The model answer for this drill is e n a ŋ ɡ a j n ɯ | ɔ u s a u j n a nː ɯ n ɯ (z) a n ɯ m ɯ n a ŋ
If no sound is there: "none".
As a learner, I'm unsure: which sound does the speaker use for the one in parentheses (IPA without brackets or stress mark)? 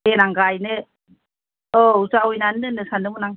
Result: s